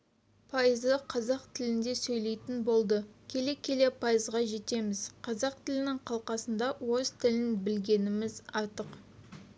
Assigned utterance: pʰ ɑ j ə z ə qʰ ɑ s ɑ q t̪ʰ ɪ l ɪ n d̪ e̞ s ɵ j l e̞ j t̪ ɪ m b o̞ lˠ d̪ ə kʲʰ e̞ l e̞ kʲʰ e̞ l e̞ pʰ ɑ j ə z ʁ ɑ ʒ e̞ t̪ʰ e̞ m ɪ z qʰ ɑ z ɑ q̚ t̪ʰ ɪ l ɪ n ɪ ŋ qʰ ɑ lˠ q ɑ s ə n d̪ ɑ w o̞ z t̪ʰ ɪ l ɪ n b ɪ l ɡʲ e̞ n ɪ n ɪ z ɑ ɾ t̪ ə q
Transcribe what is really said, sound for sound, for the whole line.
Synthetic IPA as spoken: pʰ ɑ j ə z ə qʰ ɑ z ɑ q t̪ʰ ɪ l ɪ n d̪ e̞ s ɵ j l e̞ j t̪ ɪ n b o̞ lˠ d̪ ə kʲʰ e̞ l e̞ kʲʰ e̞ l e̞ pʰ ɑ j ə z ʁ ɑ ʒ e̞ t̪ e̞ m ɪ z qʰ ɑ z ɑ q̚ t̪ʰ ɪ l ɪ n ɪ ŋ qʰ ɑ lˠ q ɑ s ə n d̪ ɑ w o̞ z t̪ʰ ɪ l ɪ n b ɪ l ɡʲ e̞ n ɪ m ɪ z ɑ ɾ t̪ ə q